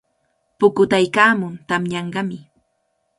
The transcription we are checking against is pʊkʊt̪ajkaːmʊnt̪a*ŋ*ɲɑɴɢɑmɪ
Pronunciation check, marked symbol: incorrect: m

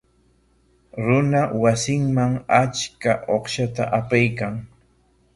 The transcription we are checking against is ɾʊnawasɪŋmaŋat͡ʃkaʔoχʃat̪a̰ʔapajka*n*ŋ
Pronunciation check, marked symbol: incorrect: none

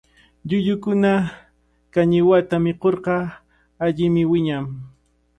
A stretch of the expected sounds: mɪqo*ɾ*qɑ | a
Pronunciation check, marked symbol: correct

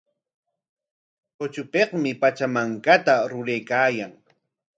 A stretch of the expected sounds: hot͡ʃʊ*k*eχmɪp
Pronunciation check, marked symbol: incorrect: p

